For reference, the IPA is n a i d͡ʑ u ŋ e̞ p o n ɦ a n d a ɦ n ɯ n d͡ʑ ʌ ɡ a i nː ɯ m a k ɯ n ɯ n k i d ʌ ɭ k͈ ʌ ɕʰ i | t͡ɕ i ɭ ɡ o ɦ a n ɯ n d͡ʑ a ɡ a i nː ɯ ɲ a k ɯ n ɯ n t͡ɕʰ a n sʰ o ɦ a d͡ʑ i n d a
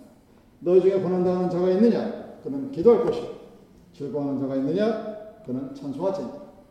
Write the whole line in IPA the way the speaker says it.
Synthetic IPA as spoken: n ʌ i d͡ʑ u ŋ e̞ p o n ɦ a n d a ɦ n ɯ n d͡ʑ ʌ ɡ a i nː ɯ ɲ a k ɯ n ɯ n k i d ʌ ɭ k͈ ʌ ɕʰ i | t͡ɕ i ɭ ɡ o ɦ a n ɯ n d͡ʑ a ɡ a i nː ɯ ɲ a k ɯ n ɯ n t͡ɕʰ a n sʰ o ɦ a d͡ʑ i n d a